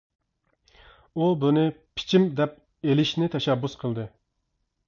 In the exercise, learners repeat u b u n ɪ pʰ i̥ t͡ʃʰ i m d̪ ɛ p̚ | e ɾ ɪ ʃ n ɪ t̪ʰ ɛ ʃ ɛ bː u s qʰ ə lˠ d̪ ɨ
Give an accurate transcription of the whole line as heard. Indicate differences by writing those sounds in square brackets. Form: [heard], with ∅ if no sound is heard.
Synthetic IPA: u b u n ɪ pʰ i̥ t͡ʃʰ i m d̪ ɛ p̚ | e [l] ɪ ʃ n ɪ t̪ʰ ɛ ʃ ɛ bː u s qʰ ə lˠ d̪ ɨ